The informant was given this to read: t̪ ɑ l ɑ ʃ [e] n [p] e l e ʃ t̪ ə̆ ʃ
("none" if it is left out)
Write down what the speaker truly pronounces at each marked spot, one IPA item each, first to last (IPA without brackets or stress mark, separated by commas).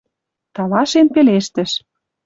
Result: e, p